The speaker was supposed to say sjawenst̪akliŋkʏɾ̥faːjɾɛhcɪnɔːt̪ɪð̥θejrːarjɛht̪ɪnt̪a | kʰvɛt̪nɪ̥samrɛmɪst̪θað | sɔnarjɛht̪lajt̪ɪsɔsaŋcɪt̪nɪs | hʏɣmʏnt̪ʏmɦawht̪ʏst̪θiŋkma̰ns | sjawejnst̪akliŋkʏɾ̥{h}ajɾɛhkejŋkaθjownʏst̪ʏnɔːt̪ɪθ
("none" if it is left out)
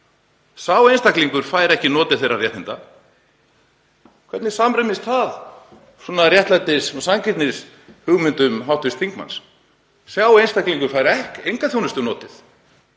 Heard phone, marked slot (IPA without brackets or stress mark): f